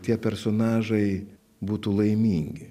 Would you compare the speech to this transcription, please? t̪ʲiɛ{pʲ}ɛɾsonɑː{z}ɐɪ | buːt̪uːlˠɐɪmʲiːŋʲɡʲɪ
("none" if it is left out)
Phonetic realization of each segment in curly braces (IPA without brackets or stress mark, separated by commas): pʲ, ʒ